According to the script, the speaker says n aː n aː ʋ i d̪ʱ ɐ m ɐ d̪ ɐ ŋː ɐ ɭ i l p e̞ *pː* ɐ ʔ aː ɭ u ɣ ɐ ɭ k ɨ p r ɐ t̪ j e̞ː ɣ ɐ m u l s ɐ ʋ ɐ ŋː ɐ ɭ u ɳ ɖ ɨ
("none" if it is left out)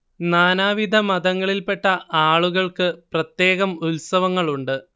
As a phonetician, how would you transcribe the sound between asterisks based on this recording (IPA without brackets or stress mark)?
ʈː